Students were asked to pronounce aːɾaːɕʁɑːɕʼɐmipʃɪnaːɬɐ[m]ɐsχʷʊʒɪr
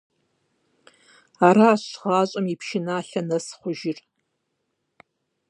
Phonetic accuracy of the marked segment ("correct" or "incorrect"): incorrect